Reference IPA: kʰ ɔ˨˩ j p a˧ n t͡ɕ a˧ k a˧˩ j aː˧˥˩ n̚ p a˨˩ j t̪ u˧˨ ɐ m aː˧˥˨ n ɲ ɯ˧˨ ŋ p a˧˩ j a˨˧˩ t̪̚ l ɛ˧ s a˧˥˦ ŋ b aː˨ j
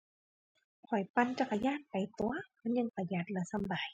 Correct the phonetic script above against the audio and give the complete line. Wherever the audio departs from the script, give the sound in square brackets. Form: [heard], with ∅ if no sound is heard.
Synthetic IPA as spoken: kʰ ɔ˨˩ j p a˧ n t͡ɕ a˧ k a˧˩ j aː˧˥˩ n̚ p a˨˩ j t̪ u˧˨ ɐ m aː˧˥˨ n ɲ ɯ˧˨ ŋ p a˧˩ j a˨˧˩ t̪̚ l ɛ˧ s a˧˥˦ [m] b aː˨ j

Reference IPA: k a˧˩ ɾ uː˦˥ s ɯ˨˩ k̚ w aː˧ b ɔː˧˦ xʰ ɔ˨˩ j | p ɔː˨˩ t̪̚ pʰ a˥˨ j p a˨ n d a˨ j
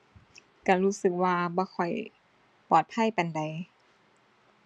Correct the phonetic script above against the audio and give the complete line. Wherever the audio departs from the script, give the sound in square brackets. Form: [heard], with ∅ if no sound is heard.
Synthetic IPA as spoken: k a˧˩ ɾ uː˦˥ s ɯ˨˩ k̚ w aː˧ b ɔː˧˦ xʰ ɔ˨˩ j | p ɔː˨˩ t̪̚ pʰ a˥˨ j p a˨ n d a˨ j

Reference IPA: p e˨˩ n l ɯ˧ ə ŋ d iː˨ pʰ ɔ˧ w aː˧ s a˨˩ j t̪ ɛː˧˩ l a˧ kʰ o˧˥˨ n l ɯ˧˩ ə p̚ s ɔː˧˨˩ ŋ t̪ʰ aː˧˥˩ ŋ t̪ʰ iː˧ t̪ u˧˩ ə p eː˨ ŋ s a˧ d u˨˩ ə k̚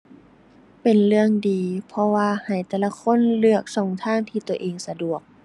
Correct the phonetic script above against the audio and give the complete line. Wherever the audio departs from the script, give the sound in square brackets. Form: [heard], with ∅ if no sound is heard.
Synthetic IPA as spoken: p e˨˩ n l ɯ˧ ə ŋ d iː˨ pʰ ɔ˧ w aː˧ [h] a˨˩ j t̪ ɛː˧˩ l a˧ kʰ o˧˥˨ n l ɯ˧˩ ə [k̚] s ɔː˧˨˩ ŋ t̪ʰ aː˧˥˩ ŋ t̪ʰ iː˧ t̪ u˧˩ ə [ʔ] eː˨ ŋ s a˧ d u˨˩ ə k̚

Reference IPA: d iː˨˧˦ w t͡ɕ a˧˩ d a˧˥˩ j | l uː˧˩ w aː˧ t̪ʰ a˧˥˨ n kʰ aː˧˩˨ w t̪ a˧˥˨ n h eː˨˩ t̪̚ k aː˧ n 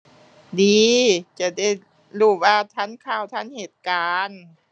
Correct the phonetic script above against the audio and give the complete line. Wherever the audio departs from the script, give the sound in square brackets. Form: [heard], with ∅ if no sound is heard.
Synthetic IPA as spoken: d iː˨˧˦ [∅] t͡ɕ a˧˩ d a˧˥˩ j | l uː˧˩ w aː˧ t̪ʰ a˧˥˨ n kʰ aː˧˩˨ w [t̪ʰ] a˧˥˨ n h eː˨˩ t̪̚ k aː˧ n

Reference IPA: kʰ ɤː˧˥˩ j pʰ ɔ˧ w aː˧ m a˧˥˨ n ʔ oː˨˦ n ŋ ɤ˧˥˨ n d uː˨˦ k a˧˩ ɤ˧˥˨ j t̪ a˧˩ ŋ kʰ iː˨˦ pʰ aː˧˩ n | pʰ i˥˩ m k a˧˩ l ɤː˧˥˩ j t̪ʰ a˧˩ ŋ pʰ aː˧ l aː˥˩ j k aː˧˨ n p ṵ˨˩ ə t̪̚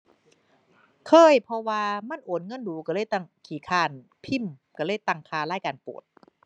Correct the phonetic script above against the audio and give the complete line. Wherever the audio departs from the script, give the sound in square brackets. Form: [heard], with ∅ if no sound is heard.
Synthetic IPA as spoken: kʰ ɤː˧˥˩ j pʰ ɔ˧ w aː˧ m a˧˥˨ n ʔ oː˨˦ n ŋ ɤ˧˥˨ n d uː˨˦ k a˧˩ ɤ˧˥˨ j t̪ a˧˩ ŋ kʰ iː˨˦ [kʰ] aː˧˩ n | pʰ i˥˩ m k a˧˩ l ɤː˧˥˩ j [t̪] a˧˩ ŋ [kʰ] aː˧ l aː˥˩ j k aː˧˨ n p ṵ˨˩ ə t̪̚

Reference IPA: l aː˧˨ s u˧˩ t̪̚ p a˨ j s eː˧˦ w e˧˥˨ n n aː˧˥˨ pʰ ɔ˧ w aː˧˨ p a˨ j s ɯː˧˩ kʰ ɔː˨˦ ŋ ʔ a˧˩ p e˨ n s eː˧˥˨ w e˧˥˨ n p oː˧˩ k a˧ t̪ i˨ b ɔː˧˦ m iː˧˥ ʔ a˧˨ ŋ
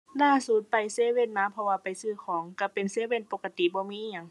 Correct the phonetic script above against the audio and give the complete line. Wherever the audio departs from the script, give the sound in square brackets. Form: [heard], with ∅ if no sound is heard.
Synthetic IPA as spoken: l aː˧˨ s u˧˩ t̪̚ p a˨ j s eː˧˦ w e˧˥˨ n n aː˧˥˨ pʰ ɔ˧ w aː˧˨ p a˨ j s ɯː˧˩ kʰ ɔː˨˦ ŋ [k] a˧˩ p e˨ n s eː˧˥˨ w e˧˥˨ n p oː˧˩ k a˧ t̪ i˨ b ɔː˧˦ m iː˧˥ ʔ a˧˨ ŋ

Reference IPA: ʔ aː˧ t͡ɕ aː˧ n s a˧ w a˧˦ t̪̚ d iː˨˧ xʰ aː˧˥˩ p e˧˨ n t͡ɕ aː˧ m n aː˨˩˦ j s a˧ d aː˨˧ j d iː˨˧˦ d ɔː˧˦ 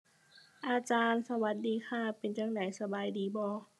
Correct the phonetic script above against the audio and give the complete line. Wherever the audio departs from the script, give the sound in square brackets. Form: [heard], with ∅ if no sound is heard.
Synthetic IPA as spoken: ʔ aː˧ t͡ɕ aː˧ n s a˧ w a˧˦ t̪̚ d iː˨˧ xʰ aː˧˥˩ p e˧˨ n t͡ɕ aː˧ [ŋ] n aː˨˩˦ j s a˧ [b] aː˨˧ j d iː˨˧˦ [b] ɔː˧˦

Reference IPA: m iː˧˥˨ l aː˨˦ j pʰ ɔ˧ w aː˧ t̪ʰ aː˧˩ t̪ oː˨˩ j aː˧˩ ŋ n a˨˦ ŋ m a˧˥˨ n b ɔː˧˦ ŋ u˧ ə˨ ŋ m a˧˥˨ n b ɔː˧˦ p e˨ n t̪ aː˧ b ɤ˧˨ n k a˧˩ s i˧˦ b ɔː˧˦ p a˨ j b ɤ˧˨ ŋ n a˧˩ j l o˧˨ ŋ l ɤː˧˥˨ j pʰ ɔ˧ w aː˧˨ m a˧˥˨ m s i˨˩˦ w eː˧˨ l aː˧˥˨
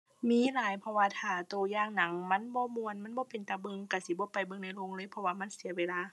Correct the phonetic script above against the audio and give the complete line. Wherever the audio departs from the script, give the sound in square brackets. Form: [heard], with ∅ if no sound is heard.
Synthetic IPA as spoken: m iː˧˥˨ l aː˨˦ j pʰ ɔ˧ w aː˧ t̪ʰ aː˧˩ t̪ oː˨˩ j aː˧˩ ŋ n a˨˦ ŋ m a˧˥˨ n b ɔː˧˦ [m] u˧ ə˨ [n] m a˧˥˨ n b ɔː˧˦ p e˨ n t̪ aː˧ b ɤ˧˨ [ŋ] k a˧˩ s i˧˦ b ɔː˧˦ p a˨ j b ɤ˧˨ ŋ n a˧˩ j l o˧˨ ŋ l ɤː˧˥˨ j pʰ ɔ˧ w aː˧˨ m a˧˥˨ [n] s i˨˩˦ w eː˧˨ l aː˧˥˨

